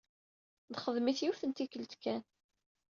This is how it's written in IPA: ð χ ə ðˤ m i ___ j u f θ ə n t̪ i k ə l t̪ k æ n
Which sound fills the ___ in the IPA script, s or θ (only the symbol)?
θ